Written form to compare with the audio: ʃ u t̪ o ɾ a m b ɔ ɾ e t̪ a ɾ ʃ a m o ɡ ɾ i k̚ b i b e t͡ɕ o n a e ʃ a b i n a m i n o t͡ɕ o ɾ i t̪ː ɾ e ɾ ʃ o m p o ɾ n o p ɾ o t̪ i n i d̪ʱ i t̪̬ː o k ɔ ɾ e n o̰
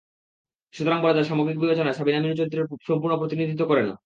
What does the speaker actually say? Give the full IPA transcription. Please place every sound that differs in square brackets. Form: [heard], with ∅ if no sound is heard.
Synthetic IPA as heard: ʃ u t̪ o ɾ a [ŋ] b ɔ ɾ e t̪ a ɾ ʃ a m o ɡ ɾ i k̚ b i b e t͡ɕ o n a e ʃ a b i n a m i n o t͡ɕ o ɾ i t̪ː ɾ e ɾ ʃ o m p [u] ɾ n o p ɾ o t̪ i n i d̪ʱ i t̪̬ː o k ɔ ɾ e n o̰

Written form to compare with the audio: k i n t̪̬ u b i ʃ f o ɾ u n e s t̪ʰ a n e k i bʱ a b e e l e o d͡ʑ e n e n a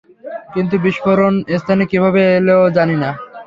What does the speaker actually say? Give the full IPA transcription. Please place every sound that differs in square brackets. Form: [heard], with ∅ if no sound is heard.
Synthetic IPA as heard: k i n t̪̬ u b i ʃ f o ɾ [o] n e s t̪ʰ a n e k i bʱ a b e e l e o d͡ʑ [a] n [i] n a

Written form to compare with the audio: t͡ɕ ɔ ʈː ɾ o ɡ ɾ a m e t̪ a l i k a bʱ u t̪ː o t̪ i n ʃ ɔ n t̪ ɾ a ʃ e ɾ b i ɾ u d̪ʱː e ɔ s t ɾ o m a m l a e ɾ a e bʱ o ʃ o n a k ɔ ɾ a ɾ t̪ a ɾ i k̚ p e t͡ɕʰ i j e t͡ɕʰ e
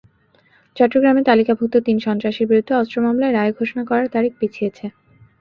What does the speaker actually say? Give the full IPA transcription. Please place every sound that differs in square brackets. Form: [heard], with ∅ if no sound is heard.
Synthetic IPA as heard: t͡ɕ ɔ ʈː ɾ o ɡ ɾ a m e t̪ a l i k a bʱ u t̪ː o t̪ i n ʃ ɔ n t̪ ɾ a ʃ e ɾ b i ɾ u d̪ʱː e ɔ s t ɾ o m a m l a e ɾ a e [ɡʱ] o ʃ o n a k ɔ ɾ a ɾ t̪ a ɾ i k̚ p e t͡ɕʰ i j e t͡ɕʰ e

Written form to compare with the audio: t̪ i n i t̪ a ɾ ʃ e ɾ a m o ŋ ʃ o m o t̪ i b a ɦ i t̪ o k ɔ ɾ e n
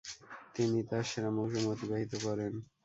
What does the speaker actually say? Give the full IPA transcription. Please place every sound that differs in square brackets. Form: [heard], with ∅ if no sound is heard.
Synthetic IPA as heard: t̪ i n i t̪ a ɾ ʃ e ɾ a m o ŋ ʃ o m o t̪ i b a ɦ i t̪ o k ɔ ɾ e n

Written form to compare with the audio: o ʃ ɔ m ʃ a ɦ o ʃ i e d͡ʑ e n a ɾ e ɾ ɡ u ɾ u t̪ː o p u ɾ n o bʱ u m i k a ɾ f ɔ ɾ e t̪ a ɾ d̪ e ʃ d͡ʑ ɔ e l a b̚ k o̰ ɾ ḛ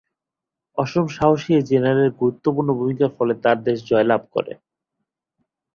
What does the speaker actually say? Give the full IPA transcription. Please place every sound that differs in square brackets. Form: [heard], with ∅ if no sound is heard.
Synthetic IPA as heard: [ɔ] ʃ [o] m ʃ a ɦ o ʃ i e d͡ʑ e n a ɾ e ɾ ɡ u ɾ u t̪ː o p u ɾ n o bʱ u m i k a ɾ f ɔ [l] e t̪ a ɾ d̪ e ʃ d͡ʑ ɔ e l a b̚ k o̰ ɾ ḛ

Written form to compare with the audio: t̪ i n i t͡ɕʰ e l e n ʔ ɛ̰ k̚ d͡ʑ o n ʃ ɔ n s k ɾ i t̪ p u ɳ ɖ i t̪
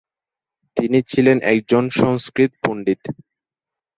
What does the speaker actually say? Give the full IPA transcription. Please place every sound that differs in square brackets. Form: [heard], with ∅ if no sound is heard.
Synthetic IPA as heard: t̪ i n i t͡ɕʰ [i] l e n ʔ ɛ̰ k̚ d͡ʑ o n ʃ ɔ [ŋ] s k ɾ i t̪ p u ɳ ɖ i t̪

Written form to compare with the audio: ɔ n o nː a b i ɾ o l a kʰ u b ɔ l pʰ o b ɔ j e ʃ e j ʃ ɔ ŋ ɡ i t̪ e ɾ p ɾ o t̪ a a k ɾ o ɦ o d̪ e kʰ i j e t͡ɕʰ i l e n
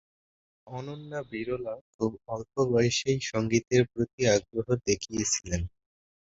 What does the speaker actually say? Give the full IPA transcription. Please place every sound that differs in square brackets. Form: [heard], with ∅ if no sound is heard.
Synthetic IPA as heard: ɔ n o nː a b i ɾ o l a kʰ u b ɔ l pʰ o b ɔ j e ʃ e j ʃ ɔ ŋ ɡ i t̪ e ɾ p ɾ o t̪ [i] a [ɡ] ɾ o ɦ o d̪ e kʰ i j e t͡ɕʰ i l e n

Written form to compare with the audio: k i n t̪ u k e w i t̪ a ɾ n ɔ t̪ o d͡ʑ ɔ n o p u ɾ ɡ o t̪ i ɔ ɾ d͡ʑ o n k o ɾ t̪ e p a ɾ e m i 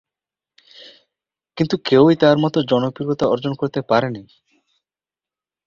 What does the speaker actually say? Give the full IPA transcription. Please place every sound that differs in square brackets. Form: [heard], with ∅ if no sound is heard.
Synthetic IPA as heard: k i n t̪ u k e w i t̪ a ɾ [m] ɔ t̪ o d͡ʑ ɔ n o p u ɾ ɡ o t̪ [a] ɔ ɾ d͡ʑ o n k o ɾ t̪ e p a ɾ e [n] i

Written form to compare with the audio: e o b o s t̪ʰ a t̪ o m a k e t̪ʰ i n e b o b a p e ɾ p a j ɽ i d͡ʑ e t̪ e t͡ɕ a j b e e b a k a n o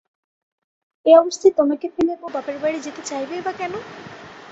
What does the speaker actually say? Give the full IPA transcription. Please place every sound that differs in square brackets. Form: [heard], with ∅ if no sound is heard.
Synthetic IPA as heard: e [ɔ] b o s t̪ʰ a t̪ o m a k e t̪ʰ i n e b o b a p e ɾ [b] a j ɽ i d͡ʑ e t̪ e t͡ɕ a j b e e b a k [ɛ] n o

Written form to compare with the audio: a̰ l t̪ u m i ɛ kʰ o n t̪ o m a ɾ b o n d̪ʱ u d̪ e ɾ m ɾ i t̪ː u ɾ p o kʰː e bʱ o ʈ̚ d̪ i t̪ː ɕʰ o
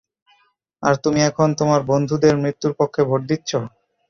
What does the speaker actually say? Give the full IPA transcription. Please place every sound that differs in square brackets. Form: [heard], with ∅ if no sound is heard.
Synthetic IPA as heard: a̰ [ɾ] t̪ u m i ɛ kʰ o n t̪ o m a ɾ b o n d̪ʱ u d̪ e ɾ m ɾ i t̪ː u ɾ p o kʰː e bʱ o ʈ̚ d̪ i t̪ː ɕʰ o

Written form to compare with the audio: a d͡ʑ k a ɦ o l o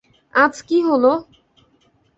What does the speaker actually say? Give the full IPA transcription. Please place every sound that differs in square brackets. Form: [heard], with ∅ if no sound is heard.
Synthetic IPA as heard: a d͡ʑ k [i] ɦ o l o

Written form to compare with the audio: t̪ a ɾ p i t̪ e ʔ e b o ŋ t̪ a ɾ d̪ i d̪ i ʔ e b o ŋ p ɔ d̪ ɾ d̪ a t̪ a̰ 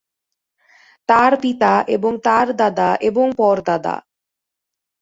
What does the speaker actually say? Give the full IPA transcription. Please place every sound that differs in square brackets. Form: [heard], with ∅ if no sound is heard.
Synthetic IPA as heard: t̪ a ɾ p i t̪ [a] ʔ e b o ŋ t̪ a ɾ d̪ [a] d̪ [a] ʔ e b o ŋ p ɔ [∅] ɾ d̪ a [d̪] a̰

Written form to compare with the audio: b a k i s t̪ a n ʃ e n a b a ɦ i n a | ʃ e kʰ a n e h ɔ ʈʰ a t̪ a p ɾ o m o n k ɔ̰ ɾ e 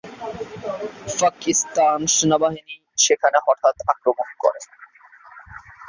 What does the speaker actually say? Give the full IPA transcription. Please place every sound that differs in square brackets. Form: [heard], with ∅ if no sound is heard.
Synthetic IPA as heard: [p] a k i s t̪ a n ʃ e n a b a ɦ i n [i] | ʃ e kʰ a n e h ɔ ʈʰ a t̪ a [k] ɾ o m o n k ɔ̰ ɾ e

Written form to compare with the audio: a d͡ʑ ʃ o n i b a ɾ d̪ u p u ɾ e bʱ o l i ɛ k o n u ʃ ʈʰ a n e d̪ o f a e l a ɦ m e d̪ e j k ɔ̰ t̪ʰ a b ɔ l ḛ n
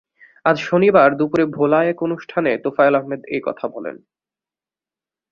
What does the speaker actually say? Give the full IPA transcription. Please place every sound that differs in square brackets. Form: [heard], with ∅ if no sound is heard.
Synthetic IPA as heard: a d͡ʑ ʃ o n i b a ɾ d̪ u p u ɾ e bʱ o l [a] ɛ k o n u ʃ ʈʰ a n e [t̪] o f a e l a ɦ m e d̪ e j k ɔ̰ t̪ʰ a b ɔ l ḛ n

